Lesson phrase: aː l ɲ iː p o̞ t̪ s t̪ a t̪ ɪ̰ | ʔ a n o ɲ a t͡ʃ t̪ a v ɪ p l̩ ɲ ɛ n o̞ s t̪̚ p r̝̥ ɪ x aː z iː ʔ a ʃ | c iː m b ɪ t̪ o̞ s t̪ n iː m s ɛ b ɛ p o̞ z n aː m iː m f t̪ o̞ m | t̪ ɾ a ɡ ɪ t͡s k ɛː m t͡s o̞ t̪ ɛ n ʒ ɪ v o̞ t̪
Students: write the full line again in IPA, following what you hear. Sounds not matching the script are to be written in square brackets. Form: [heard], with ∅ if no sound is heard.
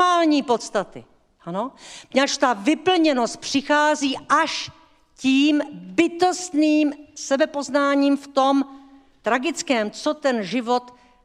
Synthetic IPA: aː l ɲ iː p o̞ t̪ s t̪ a t̪ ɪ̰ | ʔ a n o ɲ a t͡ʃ t̪ a v ɪ p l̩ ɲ ɛ n o̞ s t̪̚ p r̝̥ ɪ x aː z iː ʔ a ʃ | c iː m b ɪ t̪ o̞ s t̪ n iː m s ɛ b ɛ p o̞ z n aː [ɲ] iː m f t̪ o̞ m | t̪ ɾ a ɡ ɪ t͡s k ɛː m t͡s o̞ t̪ ɛ n ʒ ɪ v o̞ t̪